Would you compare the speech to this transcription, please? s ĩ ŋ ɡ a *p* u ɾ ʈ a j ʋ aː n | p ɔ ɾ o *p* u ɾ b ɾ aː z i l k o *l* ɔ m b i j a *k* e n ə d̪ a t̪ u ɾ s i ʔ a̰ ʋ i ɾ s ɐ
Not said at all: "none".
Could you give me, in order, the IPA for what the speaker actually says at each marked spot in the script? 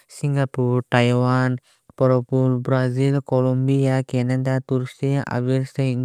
p, p, l, k

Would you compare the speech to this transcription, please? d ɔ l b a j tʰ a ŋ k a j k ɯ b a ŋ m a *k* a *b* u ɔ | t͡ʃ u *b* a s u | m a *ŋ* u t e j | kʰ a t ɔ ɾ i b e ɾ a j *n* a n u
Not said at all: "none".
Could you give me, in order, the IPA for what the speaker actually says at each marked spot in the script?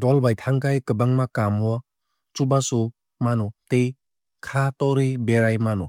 k, m, b, n, m

